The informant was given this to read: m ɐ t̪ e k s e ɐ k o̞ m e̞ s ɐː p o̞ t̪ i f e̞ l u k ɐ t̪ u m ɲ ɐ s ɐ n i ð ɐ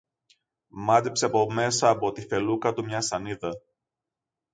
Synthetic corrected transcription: m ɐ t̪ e p s e ɐ p o̞ m e̞ s ɐː p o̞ t̪ i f e̞ l u k ɐ t̪ u m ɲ ɐ s ɐ n i ð ɐ

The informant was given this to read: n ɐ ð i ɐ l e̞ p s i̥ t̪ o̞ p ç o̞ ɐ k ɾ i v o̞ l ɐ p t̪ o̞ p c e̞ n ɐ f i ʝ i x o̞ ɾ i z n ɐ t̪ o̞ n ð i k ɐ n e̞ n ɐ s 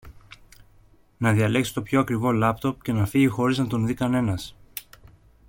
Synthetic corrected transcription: n ɐ ð i ɐ l e̞ k s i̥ t̪ o̞ p ç o̞ ɐ k ɾ i v o̞ l ɐ p t̪ o̞ p c e̞ n ɐ f i ʝ i x o̞ ɾ i z n ɐ t̪ o̞ n ð i k ɐ n e̞ n ɐ s

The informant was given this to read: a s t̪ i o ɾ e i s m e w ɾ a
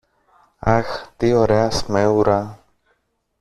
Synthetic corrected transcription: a x t̪ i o ɾ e a s m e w ɾ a

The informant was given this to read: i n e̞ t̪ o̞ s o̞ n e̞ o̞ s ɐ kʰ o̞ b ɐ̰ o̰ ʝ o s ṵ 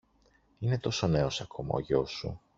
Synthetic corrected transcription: i n e̞ t̪ o̞ s o̞ n e̞ o̞ s ɐ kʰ o̞ m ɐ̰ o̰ ʝ o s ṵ

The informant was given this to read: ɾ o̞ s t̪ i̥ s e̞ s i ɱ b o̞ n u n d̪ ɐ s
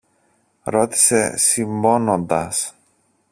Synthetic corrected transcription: ɾ o̞ t̪ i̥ s e̞ s i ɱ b o̞ n o n d̪ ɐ s

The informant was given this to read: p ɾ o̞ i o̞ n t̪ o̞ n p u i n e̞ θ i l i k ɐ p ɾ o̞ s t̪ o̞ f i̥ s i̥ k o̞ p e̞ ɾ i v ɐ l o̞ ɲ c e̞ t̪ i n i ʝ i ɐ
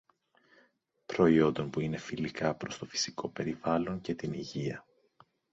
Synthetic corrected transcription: p ɾ o̞ i o̞ n d̪ o̞ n p u i n e̞ f i l i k ɐ p ɾ o̞ s t̪ o̞ f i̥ s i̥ k o̞ p e̞ ɾ i v ɐ l o̞ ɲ c e̞ t̪ i n i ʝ i ɐ

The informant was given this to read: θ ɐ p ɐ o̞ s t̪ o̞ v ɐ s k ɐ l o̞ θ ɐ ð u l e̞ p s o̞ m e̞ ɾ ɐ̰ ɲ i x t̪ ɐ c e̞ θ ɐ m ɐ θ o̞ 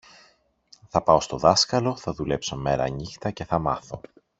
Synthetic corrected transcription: θ ɐ p ɐ o̞ s t̪ o̞ ð ɐ s k ɐ l o̞ θ ɐ ð u l e̞ p s o̞ m e̞ ɾ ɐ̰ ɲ i x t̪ ɐ c e̞ θ ɐ m ɐ θ o̞

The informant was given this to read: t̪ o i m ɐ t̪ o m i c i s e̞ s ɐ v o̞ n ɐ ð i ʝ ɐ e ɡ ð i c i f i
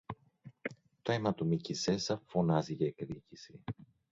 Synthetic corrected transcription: t̪ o e m ɐ t̪ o m i c i s e̞ s ɐ f o̞ n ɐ z i ʝ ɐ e k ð i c i s i

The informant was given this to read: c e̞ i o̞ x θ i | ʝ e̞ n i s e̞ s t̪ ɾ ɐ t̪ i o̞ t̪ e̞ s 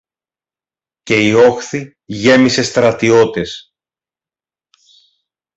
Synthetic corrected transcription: c e̞ i o̞ x θ i | ʝ e̞ m i s e̞ s t̪ ɾ ɐ t̪ i o̞ t̪ e̞ s

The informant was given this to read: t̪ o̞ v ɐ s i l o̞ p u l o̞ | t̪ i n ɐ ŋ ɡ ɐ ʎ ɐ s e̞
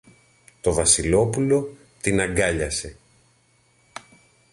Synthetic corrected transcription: t̪ o̞ v ɐ s i l o̞ p u l o̞ | t̪ i n ɐ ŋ ɡ ɐ ʎ ɐ s e̞

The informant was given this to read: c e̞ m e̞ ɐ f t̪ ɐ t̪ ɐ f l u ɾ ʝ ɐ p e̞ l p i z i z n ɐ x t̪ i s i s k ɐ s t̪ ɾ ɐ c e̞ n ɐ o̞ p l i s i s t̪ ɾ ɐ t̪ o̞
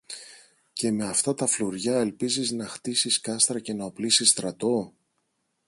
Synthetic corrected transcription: c e̞ m e̞ ɐ f t̪ ɐ t̪ ɐ f l u ɾ ʝ ɐ e̞ l p i z i z n ɐ x t̪ i s i s k ɐ s t̪ ɾ ɐ c e̞ n ɐ o̞ p l i s i s t̪ ɾ ɐ t̪ o̞

